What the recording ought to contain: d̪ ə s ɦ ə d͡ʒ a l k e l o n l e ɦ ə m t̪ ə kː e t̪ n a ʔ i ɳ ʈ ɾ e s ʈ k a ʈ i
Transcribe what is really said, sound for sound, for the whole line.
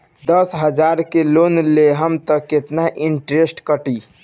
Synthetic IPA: d̪ ə s ɦ ə d͡ʒ a ɾ k e l o n l e ɦ ə m t̪ ə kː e t̪ n a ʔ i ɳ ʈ ɾ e s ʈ k ə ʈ i